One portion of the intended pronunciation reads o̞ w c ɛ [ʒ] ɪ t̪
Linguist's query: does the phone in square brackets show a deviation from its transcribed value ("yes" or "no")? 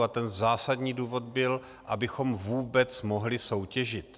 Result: no